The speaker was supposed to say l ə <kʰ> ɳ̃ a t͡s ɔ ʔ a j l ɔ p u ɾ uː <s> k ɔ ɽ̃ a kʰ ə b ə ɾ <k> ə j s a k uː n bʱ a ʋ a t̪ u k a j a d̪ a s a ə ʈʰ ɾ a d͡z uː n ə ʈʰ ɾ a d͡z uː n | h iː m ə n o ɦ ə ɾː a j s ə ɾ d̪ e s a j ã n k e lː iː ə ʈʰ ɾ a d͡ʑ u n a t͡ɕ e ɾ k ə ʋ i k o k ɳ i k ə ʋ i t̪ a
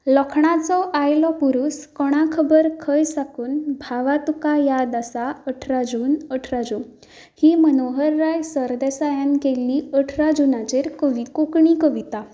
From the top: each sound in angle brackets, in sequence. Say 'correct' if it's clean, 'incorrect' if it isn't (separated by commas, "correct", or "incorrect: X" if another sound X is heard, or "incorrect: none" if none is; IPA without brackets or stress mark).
correct, correct, incorrect: kʰ